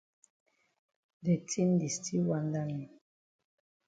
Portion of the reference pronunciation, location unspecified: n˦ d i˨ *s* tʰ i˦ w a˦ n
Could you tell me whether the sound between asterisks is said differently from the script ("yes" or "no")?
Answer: no